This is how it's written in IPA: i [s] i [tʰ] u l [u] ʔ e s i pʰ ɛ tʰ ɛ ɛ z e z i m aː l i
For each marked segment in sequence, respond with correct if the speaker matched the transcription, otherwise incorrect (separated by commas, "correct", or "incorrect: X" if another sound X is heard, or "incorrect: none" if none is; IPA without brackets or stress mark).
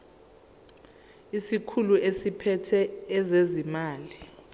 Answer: correct, incorrect: kʰ, correct